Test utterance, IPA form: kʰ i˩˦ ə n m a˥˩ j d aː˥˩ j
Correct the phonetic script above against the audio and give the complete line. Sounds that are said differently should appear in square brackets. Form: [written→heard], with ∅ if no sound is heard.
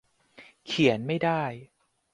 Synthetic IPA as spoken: kʰ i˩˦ ə n m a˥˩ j d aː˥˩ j